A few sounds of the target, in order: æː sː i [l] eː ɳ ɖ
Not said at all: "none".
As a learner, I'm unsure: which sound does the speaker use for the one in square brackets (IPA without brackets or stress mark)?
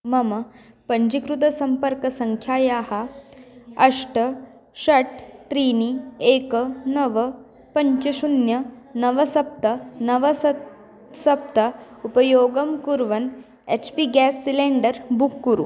l